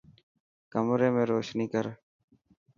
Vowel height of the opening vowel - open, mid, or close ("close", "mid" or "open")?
mid